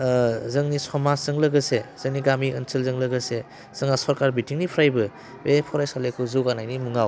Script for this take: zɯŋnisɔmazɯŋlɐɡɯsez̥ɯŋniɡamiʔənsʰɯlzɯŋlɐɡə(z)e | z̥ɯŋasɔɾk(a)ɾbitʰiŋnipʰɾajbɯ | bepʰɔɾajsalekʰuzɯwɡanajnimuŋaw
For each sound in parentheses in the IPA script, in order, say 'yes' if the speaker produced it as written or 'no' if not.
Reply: no, yes

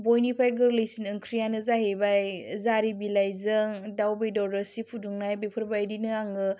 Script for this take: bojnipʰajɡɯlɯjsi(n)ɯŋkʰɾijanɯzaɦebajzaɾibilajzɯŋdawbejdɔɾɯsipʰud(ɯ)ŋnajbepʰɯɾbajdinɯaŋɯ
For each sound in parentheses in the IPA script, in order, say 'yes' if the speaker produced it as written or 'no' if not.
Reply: yes, no

